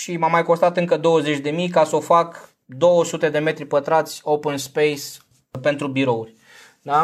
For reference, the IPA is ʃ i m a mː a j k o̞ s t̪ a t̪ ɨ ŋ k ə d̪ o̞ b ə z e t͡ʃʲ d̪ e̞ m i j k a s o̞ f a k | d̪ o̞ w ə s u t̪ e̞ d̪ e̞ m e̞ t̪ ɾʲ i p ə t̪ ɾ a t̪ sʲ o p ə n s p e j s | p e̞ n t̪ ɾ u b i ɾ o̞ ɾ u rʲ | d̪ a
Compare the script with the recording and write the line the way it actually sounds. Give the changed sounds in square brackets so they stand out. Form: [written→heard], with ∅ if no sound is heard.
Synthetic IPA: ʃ i m a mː a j k o̞ s t̪ a t̪ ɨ ŋ k ə d̪ o̞ [b→w] ə z e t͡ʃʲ d̪ e̞ m i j k a s o̞ f a k | d̪ o̞ w ə s u t̪ e̞ d̪ e̞ m e̞ t̪ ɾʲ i p ə t̪ ɾ a t̪ sʲ o p ə n s p e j s | p e̞ n t̪ ɾ u b i ɾ o̞ [ɾ→∅] u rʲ | d̪ a